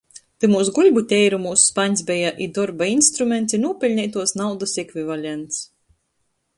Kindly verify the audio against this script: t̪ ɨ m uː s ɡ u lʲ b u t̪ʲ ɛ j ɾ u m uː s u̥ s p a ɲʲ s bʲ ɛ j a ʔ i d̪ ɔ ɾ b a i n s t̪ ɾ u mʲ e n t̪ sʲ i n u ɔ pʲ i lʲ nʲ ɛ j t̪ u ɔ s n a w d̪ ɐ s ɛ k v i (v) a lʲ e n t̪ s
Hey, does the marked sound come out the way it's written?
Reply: yes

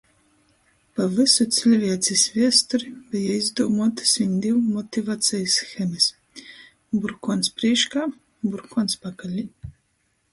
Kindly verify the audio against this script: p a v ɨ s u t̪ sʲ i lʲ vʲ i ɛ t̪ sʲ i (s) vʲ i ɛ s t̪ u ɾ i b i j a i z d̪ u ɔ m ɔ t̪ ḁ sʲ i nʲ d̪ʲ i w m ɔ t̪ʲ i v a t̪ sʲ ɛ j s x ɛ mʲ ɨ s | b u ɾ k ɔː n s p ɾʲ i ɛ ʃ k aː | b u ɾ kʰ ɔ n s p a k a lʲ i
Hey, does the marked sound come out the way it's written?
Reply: yes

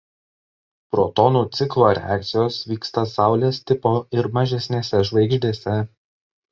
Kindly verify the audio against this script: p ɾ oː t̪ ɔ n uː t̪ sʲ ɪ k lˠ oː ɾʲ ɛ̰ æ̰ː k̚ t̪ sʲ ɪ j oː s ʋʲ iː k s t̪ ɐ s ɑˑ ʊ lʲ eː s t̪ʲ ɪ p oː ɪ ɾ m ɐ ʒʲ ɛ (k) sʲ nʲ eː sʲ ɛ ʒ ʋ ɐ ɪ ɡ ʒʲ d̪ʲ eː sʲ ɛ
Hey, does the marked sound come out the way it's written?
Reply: no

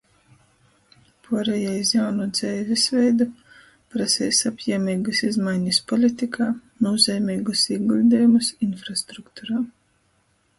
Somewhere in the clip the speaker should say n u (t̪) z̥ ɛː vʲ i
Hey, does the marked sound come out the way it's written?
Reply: no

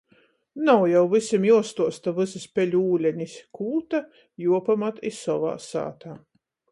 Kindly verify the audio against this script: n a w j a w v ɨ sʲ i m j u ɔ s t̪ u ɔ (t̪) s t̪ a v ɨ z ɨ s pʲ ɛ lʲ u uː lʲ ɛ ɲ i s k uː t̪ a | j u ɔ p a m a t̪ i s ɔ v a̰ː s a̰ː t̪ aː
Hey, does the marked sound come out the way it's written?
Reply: no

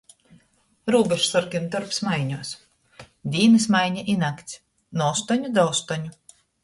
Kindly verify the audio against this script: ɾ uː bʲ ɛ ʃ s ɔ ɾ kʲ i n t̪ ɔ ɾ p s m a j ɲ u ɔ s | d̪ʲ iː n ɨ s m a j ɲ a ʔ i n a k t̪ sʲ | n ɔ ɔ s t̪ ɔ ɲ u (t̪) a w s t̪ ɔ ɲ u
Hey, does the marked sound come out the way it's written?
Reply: no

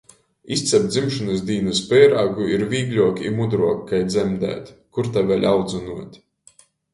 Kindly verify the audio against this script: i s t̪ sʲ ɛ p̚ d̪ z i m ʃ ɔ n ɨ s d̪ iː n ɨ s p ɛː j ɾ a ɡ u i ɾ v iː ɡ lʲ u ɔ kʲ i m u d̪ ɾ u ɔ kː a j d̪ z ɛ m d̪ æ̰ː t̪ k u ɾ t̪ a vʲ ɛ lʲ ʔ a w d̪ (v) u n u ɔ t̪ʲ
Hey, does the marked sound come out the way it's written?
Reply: no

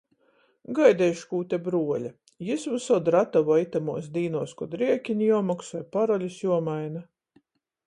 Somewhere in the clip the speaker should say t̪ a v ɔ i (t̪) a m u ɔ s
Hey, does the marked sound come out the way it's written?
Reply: yes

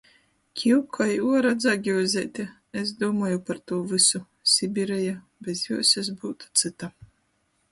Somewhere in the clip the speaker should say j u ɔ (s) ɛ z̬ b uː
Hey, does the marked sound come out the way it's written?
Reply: yes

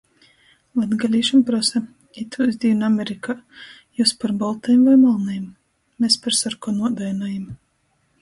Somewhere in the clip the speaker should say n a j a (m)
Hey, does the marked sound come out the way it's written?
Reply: yes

